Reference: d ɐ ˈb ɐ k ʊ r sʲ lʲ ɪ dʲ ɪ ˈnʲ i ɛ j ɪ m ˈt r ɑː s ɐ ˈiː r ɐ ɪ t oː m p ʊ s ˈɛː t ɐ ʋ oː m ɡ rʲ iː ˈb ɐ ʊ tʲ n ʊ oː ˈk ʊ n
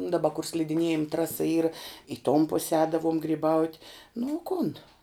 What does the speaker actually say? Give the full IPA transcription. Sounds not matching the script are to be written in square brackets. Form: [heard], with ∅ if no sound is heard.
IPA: d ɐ ˈb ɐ k ʊ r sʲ lʲ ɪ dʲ ɪ ˈnʲ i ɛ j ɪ m ˈt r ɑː s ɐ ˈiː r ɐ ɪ t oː m p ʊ s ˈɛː [d] ɐ ʋ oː m ɡ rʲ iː ˈb ɐ ʊ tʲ n ʊ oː ˈk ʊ n